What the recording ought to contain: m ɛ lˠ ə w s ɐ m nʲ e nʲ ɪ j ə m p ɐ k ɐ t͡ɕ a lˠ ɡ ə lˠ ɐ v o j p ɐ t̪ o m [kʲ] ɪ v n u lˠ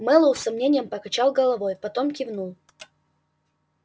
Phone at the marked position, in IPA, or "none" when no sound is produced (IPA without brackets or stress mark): kʲ